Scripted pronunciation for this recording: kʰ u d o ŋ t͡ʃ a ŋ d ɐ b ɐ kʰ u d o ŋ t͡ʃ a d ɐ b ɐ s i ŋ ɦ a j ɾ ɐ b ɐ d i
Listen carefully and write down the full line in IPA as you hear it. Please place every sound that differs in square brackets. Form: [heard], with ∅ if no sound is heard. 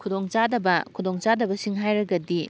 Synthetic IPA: kʰ u d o ŋ t͡ʃ a [∅] d ɐ b ɐ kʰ u d o ŋ t͡ʃ a d ɐ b ɐ s i ŋ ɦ a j ɾ ɐ [ɡ] ɐ d i